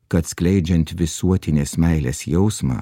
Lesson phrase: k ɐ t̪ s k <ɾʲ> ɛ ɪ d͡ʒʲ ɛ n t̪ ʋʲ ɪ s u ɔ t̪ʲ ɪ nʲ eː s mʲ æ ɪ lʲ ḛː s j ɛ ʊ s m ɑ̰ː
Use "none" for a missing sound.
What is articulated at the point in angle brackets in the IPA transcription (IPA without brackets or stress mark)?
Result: lʲ